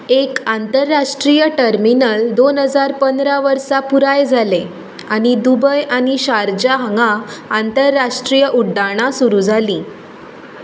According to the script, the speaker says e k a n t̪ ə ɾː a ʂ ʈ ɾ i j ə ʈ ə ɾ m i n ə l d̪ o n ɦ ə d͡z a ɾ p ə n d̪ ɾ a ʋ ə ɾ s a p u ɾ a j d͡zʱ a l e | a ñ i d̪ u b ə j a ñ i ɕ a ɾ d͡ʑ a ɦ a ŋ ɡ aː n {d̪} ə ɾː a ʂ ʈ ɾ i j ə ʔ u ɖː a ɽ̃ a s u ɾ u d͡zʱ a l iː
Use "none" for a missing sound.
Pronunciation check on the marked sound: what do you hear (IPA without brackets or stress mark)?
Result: t̪